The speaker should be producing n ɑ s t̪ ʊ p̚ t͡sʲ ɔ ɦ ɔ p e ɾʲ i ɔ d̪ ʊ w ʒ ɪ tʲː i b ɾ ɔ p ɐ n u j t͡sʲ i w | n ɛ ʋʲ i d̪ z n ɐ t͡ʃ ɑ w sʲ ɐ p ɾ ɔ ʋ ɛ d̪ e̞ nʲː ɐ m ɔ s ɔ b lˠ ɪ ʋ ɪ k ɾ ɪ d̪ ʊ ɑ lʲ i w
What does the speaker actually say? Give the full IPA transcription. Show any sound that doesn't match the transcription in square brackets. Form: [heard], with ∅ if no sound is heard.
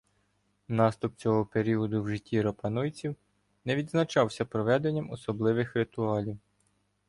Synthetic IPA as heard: n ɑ s t̪ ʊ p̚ t͡sʲ ɔ ɦ ɔ p e ɾʲ i ɔ d̪ ʊ w ʒ ɪ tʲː i [∅] ɾ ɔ p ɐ n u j t͡sʲ i w | n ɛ ʋʲ i d̪ z n ɐ t͡ʃ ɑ w sʲ ɐ p ɾ ɔ ʋ ɛ d̪ e̞ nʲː ɐ m ɔ s ɔ b lˠ ɪ ʋ ɪ [x] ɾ ɪ [t̪] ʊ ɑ lʲ i w